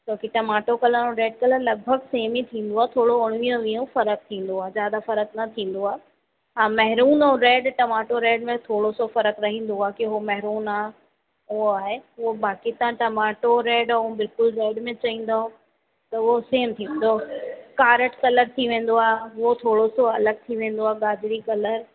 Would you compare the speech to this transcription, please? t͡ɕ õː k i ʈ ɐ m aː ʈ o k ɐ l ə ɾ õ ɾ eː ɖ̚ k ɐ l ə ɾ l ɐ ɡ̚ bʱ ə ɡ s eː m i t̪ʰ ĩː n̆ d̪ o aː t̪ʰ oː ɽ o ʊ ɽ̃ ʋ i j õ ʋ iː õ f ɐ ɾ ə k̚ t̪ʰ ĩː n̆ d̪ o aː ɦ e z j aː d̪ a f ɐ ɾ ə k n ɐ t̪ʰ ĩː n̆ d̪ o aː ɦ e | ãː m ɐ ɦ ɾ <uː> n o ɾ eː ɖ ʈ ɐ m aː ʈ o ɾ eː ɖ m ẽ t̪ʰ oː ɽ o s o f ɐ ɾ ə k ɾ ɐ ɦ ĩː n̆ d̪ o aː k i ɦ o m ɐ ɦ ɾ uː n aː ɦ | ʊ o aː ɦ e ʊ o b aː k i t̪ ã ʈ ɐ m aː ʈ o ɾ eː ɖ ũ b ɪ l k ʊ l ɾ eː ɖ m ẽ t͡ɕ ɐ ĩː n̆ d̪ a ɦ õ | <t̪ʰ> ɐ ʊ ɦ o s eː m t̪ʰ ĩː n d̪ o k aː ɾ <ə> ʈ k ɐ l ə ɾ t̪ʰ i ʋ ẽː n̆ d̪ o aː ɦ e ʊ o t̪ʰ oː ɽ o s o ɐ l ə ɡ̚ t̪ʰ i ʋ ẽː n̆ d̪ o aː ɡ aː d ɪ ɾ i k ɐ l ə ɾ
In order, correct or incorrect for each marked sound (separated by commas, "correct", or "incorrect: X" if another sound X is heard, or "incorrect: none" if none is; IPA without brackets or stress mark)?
correct, incorrect: t̪, correct